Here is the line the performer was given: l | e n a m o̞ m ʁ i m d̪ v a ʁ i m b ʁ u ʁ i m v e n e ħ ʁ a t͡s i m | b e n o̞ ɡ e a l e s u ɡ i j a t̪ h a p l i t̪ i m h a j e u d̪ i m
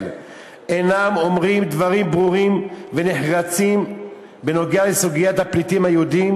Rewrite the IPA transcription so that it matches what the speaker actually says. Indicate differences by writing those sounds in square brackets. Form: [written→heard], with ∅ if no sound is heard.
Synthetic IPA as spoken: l | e n a m o̞ m ʁ i m d̪ v a ʁ i m b ʁ u ʁ i m v e n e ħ ʁ a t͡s i m | b e n o̞ ɡ e a l e s u ɡ i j a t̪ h a p l i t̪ i m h a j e u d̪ i m